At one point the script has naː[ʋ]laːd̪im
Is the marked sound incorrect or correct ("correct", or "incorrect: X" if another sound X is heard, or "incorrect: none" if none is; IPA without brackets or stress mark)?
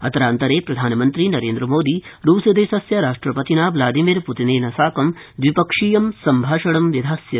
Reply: correct